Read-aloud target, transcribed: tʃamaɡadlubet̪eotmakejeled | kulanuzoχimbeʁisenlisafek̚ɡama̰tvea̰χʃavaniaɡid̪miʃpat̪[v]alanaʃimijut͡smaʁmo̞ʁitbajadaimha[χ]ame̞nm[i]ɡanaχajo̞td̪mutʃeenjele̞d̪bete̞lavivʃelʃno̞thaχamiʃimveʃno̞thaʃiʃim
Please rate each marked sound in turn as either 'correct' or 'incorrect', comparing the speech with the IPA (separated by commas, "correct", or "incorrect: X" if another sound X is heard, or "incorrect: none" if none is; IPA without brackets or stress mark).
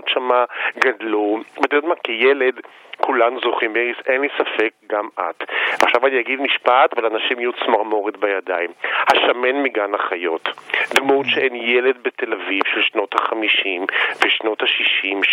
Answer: correct, incorrect: ʃ, correct